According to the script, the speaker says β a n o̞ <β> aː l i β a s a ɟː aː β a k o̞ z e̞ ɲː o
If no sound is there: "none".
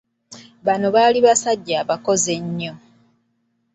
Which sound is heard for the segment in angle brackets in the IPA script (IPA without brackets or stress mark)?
β